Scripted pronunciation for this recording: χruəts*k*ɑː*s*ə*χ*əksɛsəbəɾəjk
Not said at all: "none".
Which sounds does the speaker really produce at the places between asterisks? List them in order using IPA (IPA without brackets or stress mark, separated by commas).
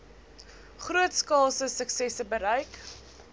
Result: k, s, s